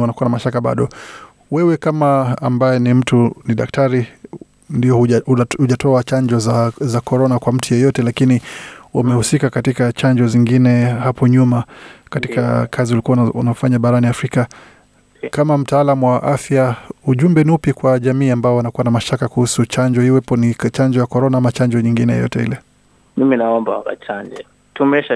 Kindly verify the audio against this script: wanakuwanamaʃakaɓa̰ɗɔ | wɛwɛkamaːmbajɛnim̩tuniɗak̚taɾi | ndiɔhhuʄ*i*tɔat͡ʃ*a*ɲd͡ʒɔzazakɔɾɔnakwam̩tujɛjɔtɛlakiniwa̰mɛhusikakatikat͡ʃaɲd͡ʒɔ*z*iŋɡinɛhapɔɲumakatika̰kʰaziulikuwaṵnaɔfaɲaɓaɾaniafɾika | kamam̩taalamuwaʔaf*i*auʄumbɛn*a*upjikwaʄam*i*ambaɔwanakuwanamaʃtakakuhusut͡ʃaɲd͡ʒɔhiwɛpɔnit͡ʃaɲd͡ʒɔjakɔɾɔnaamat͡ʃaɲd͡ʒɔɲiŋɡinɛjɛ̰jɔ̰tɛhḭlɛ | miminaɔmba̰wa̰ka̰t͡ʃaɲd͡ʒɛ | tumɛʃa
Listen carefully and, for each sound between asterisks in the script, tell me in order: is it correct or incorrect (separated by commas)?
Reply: incorrect, correct, correct, incorrect, incorrect, incorrect